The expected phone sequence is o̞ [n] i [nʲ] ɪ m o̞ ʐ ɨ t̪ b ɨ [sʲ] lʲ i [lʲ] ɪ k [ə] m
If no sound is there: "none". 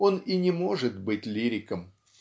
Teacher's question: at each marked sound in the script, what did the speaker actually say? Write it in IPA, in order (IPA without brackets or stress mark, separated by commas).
n, nʲ, tʲ, ɾʲ, ə